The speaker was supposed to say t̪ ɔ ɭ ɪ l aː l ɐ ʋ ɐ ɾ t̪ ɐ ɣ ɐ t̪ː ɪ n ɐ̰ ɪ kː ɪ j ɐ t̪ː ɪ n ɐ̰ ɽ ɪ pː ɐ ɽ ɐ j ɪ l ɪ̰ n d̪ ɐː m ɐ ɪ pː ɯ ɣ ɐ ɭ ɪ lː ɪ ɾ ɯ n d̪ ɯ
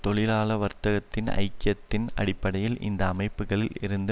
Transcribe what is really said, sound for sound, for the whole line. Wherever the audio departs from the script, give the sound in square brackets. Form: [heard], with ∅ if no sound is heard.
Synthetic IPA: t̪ ɔ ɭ ɪ l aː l ɐ ʋ ɐ ɾ t̪ ɐ ɣ ɐ t̪ː ɪ n ɐ̰ ɪ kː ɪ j ɐ t̪ː ɪ n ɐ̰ ɽ ɪ pː ɐ ɽ ɐ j ɪ l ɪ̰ n d̪ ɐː m ɐ ɪ pː ɯ ɣ ɐ ɭ ɪ [l] ɪ ɾ ɯ n d̪ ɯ